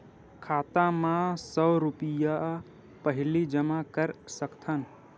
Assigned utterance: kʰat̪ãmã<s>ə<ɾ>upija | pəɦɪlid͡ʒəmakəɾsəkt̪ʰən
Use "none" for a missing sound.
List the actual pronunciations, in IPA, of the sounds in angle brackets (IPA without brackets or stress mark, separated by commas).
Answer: s, ɾ